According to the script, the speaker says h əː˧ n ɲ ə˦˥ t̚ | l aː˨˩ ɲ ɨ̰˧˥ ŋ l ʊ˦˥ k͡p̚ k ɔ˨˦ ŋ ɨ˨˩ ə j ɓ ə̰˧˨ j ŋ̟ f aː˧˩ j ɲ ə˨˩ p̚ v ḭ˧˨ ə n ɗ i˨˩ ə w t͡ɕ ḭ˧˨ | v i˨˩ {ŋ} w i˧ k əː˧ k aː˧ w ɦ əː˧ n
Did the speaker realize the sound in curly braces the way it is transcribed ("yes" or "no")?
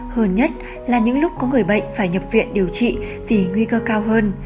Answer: yes